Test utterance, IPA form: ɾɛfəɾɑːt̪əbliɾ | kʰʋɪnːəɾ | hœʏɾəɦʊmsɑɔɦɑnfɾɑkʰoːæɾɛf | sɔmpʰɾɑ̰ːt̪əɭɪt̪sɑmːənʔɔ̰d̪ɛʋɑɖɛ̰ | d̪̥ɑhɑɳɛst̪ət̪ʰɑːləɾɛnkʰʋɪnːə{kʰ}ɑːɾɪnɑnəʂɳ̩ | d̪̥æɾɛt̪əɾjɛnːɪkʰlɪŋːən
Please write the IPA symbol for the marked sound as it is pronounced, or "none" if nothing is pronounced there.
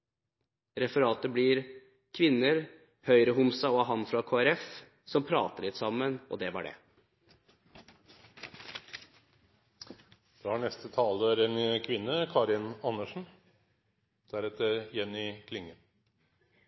kʰ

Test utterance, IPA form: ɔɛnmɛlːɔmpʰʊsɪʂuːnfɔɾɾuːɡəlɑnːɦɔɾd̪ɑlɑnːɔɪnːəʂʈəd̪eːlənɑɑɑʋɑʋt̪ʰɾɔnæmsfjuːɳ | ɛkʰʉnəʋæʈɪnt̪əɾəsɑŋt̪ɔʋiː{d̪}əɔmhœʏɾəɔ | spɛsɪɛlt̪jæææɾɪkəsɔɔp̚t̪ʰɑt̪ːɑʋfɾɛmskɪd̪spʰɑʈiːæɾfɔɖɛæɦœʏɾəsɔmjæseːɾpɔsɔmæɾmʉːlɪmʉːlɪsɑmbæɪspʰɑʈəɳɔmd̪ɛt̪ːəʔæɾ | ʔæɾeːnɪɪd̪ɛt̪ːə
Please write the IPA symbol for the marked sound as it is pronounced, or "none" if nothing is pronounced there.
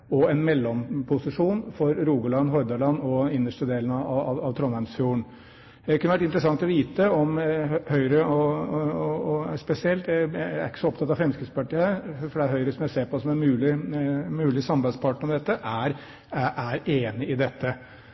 t̪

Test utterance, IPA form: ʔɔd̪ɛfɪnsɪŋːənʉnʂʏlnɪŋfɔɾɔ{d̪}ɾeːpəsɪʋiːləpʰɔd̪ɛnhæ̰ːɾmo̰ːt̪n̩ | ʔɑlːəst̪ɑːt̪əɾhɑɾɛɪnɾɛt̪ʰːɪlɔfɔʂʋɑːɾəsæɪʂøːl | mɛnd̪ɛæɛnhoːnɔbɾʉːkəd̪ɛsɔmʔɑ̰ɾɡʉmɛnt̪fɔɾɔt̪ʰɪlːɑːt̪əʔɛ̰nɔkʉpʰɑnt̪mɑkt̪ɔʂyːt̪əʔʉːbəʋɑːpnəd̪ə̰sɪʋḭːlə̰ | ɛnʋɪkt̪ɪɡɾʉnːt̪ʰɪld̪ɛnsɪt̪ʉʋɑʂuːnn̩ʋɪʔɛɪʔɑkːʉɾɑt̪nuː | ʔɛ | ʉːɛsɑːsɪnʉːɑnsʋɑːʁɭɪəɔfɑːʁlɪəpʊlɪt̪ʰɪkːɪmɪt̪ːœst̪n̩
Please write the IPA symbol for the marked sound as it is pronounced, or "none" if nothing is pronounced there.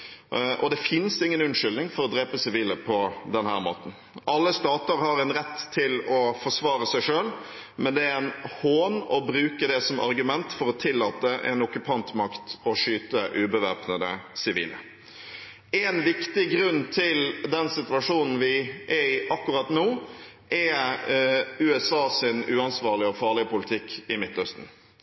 d̪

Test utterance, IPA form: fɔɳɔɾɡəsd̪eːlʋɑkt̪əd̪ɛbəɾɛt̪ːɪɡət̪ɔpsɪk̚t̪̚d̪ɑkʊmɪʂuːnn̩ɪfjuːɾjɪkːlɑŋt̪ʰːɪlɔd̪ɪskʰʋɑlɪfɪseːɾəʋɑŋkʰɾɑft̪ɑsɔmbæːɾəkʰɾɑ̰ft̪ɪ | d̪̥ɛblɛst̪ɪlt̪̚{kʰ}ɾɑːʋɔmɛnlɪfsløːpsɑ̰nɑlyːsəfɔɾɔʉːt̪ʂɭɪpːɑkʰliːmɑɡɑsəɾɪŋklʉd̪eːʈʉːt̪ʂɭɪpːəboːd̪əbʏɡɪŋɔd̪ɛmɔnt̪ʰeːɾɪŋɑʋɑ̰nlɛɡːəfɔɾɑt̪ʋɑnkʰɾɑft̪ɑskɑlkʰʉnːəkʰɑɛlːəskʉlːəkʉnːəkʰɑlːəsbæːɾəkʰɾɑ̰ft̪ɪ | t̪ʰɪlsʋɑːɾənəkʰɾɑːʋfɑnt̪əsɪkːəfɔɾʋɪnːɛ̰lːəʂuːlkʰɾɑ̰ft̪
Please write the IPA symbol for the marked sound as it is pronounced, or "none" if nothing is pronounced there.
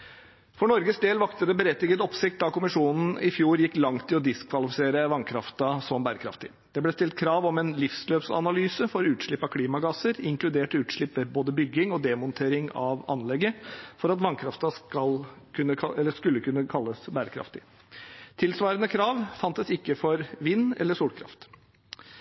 kʰ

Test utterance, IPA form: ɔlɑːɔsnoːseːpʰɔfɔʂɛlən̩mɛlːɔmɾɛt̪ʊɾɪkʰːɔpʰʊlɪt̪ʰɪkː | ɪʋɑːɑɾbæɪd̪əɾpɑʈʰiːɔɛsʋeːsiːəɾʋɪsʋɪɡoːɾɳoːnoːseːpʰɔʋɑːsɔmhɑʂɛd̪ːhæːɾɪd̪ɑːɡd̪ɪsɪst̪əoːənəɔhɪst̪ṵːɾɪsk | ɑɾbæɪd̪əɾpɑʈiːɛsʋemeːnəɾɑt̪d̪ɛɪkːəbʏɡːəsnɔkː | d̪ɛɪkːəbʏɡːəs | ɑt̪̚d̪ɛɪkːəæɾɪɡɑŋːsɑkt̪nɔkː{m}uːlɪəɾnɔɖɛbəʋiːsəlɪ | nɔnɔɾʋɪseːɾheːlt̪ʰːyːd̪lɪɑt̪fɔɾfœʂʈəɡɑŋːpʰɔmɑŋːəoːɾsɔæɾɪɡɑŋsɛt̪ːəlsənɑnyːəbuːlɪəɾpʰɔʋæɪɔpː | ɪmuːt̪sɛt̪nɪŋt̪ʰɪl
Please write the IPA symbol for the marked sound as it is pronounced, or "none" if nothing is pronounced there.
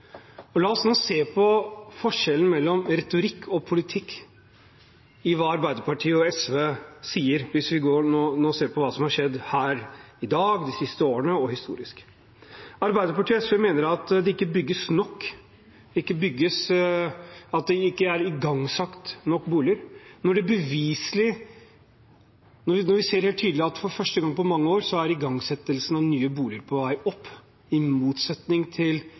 b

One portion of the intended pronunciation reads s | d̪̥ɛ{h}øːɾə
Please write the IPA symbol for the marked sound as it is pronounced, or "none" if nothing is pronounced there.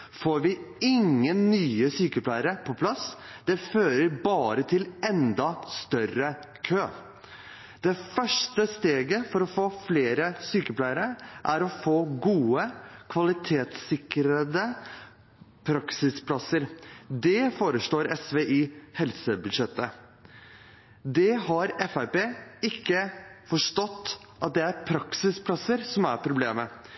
f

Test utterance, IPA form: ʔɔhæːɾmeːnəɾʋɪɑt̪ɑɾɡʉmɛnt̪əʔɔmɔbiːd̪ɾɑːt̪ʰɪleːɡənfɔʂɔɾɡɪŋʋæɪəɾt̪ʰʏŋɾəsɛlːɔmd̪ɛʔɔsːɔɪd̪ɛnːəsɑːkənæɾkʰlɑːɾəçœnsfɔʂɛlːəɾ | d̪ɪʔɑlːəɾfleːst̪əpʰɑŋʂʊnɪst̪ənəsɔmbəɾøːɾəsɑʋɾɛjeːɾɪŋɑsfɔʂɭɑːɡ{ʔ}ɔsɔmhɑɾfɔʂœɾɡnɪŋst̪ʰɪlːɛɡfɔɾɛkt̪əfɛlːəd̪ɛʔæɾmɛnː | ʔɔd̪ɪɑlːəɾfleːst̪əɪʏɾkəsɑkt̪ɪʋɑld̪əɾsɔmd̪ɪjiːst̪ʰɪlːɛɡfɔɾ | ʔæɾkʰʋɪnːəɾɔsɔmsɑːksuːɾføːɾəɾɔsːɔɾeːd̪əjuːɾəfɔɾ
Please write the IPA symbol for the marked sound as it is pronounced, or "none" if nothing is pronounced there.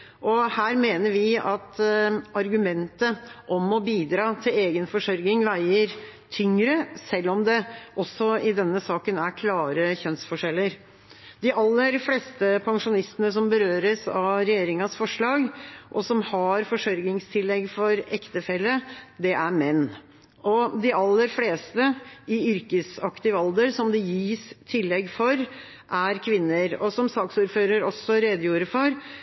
ʔ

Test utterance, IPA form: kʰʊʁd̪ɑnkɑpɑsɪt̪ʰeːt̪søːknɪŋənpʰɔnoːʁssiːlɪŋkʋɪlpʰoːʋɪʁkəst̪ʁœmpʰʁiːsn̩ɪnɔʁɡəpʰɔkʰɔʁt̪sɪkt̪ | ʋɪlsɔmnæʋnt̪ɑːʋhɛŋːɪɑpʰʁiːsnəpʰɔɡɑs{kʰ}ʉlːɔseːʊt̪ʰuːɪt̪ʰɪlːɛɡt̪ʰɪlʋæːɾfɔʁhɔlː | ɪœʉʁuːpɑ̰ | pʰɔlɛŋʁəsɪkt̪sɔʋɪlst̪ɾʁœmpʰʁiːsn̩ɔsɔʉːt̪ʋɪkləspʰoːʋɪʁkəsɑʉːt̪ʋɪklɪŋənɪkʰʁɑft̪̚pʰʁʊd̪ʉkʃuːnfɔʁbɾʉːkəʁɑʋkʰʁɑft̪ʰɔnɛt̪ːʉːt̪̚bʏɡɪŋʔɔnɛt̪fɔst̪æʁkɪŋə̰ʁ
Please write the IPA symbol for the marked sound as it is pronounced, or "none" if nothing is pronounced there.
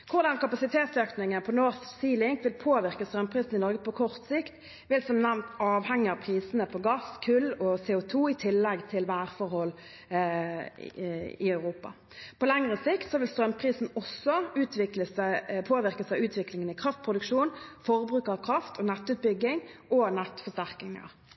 kʰ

